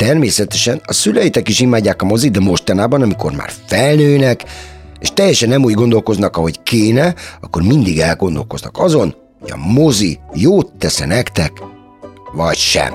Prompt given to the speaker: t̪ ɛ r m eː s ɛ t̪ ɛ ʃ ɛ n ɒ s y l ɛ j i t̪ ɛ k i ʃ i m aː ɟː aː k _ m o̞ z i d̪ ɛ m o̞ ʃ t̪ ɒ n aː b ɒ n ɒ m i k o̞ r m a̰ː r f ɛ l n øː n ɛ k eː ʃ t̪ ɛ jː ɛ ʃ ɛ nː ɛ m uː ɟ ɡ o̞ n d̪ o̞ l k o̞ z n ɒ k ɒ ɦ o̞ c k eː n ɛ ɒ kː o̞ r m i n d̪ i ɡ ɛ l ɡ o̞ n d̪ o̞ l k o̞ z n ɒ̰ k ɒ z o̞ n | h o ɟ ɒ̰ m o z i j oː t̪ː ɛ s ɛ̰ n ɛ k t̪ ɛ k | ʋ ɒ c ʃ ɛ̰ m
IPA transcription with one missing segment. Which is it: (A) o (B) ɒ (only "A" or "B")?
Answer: B